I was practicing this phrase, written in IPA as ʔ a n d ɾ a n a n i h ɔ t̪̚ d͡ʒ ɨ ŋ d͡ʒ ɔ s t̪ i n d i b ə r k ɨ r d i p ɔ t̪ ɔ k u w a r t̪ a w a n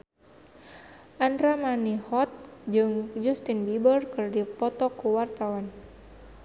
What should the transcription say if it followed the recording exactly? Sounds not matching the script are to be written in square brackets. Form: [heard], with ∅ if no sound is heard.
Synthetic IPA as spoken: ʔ a n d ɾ a [m] a n i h ɔ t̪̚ d͡ʒ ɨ ŋ d͡ʒ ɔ s t̪ i n [b] i b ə r k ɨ r d i p ɔ t̪ ɔ k u w a r t̪ a w a n